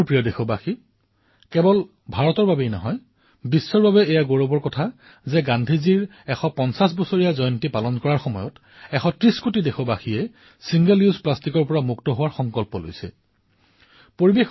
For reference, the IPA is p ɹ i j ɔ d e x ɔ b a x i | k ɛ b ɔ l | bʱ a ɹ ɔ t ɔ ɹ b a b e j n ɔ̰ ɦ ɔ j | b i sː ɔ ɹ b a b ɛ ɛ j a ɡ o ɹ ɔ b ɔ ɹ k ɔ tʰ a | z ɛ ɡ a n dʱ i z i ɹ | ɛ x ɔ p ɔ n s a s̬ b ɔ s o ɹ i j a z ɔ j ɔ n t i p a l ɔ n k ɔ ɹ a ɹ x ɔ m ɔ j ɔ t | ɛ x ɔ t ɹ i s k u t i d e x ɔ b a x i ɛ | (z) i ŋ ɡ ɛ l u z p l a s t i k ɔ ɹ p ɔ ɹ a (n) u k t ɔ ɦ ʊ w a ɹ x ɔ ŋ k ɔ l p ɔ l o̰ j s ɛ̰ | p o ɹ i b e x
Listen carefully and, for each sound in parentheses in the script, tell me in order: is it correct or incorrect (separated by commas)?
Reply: incorrect, incorrect